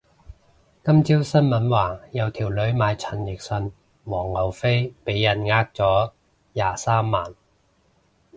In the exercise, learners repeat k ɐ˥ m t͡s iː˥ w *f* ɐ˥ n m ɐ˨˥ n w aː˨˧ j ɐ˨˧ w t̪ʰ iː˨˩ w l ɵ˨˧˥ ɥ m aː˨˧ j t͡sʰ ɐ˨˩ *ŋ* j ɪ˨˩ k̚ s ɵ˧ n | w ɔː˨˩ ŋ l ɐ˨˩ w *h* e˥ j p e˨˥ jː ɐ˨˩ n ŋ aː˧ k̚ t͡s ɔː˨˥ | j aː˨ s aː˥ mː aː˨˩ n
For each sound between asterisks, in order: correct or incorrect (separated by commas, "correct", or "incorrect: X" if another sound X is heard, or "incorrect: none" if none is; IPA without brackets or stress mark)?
incorrect: s, incorrect: n, incorrect: f